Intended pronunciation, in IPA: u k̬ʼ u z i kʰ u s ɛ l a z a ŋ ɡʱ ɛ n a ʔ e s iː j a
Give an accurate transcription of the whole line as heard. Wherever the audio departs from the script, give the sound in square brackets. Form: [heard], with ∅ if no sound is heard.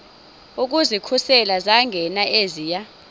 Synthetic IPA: u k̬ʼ u z i kʰ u s ɛ l a z a ŋ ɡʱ ɛ n a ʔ e [z] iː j a